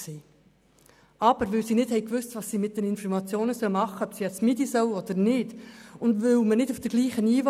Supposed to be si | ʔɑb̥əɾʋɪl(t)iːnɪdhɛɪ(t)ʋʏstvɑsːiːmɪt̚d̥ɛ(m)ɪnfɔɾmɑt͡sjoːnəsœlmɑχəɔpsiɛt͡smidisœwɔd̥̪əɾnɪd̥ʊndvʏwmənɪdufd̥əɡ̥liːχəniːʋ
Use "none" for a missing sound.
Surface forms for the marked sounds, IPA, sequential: s, k, n

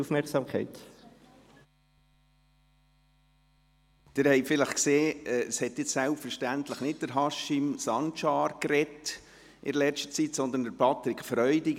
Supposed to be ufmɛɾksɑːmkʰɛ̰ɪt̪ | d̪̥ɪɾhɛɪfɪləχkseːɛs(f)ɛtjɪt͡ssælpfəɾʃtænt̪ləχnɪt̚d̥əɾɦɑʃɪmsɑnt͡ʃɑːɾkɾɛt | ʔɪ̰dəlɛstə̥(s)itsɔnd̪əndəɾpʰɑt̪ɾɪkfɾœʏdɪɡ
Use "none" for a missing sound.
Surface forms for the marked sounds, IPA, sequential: h, t͡s

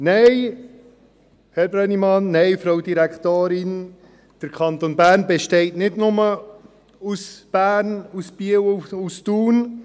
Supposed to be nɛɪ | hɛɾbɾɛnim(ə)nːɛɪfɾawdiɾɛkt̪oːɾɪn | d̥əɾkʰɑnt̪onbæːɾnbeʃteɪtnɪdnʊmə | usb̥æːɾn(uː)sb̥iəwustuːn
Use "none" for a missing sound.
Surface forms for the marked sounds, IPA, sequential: ɑ, u

